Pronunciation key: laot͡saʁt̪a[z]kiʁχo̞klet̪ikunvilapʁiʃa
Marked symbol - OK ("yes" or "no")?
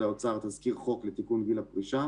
yes